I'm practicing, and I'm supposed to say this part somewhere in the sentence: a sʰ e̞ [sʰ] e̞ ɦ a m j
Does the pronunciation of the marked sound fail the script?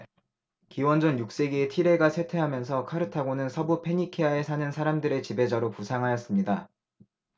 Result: yes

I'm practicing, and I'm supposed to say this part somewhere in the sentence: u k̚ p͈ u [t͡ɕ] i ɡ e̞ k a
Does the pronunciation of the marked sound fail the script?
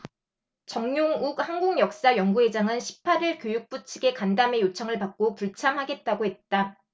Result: yes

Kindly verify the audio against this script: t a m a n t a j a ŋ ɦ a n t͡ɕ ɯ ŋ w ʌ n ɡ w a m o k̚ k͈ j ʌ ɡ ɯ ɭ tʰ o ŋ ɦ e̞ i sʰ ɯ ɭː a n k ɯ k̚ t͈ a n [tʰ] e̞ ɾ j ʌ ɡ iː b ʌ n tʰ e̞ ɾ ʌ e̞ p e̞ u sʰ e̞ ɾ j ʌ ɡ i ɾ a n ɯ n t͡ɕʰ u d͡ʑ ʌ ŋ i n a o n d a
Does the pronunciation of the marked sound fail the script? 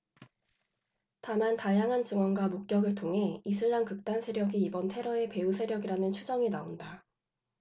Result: yes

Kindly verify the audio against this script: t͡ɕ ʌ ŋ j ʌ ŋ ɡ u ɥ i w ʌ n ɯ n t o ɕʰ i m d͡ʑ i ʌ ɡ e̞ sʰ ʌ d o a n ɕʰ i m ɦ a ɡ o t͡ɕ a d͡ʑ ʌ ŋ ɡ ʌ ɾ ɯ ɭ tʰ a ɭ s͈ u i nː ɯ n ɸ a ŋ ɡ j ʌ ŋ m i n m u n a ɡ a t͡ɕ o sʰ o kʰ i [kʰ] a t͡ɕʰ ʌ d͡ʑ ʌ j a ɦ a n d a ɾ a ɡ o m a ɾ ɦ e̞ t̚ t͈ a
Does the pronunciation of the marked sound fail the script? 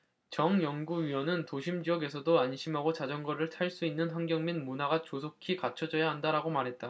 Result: yes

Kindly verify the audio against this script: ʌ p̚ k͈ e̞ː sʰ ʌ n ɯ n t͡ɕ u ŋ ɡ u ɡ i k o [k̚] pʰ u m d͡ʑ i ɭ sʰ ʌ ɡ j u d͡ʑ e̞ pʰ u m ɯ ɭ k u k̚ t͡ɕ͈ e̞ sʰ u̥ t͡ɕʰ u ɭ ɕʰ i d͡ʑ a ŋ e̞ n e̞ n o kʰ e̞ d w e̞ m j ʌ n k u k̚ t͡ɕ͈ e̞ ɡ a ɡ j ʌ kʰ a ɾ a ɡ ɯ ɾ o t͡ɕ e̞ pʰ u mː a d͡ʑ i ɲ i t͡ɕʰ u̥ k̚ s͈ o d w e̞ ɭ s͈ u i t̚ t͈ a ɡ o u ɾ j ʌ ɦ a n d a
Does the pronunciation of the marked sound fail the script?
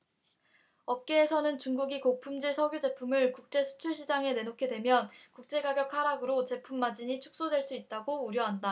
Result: no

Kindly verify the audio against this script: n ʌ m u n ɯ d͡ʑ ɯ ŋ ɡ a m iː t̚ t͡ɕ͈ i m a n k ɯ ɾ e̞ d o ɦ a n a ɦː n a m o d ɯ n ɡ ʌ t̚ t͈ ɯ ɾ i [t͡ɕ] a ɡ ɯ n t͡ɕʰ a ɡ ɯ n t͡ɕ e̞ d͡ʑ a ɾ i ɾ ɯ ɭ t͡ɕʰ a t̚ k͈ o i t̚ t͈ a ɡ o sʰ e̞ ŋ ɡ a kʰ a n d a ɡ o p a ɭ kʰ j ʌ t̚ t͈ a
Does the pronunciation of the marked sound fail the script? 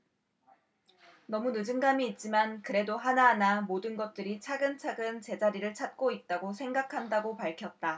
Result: yes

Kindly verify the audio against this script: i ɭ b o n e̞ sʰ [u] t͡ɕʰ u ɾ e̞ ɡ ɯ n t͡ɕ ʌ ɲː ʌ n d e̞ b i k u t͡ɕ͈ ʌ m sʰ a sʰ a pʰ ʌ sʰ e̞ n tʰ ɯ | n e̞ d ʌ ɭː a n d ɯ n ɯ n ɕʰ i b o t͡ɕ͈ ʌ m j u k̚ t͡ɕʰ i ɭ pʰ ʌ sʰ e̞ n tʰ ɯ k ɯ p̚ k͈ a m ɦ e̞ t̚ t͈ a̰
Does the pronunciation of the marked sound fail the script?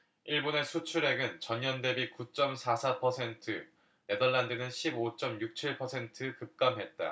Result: no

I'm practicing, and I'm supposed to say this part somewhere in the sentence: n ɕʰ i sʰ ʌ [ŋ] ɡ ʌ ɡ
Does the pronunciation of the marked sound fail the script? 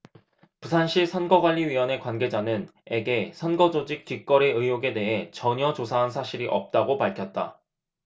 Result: yes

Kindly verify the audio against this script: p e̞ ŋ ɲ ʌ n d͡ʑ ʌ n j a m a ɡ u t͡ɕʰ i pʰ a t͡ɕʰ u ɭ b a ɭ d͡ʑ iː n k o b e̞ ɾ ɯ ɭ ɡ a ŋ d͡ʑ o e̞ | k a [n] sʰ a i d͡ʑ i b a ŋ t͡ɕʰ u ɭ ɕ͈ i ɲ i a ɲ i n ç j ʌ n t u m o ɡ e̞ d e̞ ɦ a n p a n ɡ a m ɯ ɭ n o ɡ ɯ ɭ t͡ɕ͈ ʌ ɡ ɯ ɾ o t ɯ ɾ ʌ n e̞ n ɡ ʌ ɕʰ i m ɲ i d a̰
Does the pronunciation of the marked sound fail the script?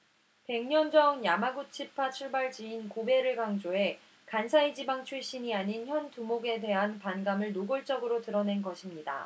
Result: no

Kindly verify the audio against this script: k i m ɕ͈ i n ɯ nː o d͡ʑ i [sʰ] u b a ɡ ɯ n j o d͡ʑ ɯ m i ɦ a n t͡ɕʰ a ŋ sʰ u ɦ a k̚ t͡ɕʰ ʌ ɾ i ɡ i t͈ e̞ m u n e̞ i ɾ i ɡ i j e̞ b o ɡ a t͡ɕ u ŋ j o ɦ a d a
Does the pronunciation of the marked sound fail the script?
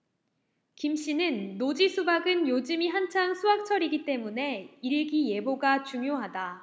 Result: no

